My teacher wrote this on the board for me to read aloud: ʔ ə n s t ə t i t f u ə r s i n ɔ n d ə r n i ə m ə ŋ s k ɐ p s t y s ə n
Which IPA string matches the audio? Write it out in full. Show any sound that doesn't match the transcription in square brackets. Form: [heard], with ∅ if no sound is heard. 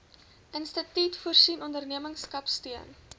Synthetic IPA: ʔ ə n s t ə t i t f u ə r s i n ɔ n d ə r n i ə m ə ŋ s k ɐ p s t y [∅] ə n